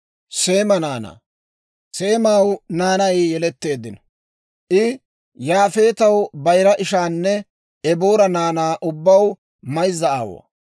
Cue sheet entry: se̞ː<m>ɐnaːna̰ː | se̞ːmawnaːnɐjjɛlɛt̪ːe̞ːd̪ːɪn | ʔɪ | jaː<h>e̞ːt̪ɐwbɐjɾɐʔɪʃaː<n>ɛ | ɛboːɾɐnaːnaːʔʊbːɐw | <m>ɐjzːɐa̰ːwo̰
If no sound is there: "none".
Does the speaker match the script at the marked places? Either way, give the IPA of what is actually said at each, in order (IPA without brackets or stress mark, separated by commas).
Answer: m, f, nː, m